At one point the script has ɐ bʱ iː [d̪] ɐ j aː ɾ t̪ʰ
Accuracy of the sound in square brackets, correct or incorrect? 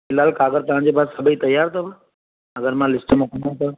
incorrect